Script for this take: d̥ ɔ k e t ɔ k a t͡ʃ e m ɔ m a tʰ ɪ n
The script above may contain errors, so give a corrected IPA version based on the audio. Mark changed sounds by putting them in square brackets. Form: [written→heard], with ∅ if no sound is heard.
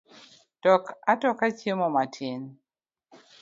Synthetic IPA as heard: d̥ ɔ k [e→a] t ɔ k a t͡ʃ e m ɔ m a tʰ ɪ n